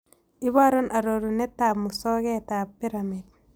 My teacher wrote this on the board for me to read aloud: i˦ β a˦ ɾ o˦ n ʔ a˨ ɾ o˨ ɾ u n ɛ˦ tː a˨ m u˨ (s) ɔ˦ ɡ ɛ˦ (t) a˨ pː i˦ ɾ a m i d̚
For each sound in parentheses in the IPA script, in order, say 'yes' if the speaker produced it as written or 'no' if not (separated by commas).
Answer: yes, yes